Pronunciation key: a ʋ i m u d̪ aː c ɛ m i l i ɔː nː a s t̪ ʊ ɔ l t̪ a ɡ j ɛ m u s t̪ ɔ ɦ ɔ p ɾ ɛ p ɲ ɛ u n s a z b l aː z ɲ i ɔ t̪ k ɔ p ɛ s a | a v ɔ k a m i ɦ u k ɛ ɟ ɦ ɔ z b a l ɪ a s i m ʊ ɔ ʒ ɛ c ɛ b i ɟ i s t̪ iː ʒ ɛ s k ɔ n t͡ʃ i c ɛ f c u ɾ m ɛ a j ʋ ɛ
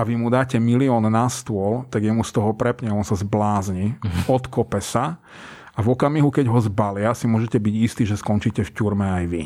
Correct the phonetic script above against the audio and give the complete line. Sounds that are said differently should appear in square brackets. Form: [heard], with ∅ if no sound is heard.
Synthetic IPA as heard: a ʋ i m u d̪ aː c ɛ m i l i ɔː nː a s t̪ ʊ ɔ l t̪ a ɡ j ɛ m u s t̪ ɔ ɦ ɔ p ɾ ɛ p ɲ ɛ [ɔ] n s a z b l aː z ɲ i ɔ t̪ k ɔ p ɛ s a | a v ɔ k a m i ɦ u k ɛ ɟ ɦ ɔ z b a l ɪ a s i m ʊ ɔ ʒ ɛ c ɛ b i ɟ i s t̪ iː ʒ ɛ s k ɔ n t͡ʃ i c ɛ f c u ɾ m ɛ a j ʋ [i]